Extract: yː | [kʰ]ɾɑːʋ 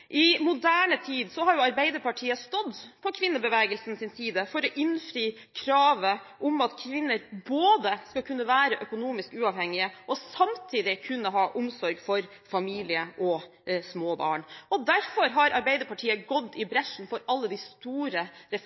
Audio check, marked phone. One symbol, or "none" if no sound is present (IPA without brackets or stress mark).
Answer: kʰ